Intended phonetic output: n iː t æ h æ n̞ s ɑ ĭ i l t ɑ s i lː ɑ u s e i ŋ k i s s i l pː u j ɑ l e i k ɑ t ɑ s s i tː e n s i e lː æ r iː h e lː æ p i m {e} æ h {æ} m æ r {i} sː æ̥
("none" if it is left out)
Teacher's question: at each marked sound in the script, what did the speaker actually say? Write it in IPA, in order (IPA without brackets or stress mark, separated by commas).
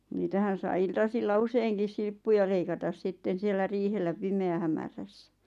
e, æ, æ